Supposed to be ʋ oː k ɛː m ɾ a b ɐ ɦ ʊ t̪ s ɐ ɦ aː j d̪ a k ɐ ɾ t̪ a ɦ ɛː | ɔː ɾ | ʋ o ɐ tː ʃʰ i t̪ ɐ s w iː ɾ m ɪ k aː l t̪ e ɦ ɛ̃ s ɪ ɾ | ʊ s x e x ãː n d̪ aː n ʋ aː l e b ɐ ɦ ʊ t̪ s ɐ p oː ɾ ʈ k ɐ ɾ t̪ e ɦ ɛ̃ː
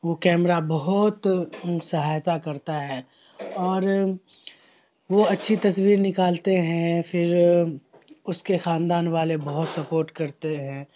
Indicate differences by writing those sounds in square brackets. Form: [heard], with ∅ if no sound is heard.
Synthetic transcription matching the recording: ʋ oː k ɛː m ɾ a b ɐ ɦ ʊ t̪ s ɐ ɦ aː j [t̪] a k ɐ ɾ t̪ a ɦ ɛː | ɔː ɾ | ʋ o ɐ tː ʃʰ i t̪ ɐ s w iː ɾ [n] ɪ k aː l t̪ e ɦ ɛ̃ [f] ɪ ɾ | ʊ s [k] e x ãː n d̪ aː n ʋ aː l e b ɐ ɦ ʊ t̪ s ɐ p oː ɾ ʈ k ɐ ɾ t̪ e ɦ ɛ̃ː